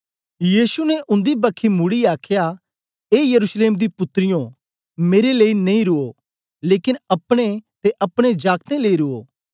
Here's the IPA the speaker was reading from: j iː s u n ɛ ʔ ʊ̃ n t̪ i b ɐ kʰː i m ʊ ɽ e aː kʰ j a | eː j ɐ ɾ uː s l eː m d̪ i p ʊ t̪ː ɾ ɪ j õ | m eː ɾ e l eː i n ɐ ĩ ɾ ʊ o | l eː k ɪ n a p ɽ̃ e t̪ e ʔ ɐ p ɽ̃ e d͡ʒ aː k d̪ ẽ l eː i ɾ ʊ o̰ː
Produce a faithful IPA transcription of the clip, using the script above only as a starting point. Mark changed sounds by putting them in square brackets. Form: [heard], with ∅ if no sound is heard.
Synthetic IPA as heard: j iː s u n ɛ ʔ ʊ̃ n [d̪] i b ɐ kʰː i m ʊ ɽ [i] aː kʰ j a | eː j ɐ ɾ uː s l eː m d̪ i p ʊ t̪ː ɾ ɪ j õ | m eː ɾ e l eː i n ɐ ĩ ɾ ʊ o | l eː k ɪ n [ɐ] p ɽ̃ e t̪ e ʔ ɐ p ɽ̃ e d͡ʒ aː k [t̪] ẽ l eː i ɾ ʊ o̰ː